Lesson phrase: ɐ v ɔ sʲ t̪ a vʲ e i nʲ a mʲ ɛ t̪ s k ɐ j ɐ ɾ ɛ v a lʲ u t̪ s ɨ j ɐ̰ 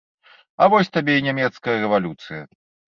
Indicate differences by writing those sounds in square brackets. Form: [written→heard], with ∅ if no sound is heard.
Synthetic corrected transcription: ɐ v ɔ sʲ t̪ a [vʲ→bʲ] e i nʲ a mʲ ɛ t̪ s k ɐ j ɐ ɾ ɛ v a lʲ u t̪ s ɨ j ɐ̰